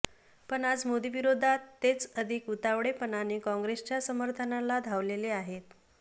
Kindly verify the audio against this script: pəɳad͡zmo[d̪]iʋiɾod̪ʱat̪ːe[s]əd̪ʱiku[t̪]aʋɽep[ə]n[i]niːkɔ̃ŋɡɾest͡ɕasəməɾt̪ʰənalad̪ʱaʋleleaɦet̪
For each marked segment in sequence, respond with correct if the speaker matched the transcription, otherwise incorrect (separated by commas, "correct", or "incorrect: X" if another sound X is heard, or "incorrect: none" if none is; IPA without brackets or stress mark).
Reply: correct, incorrect: t͡s, correct, correct, incorrect: a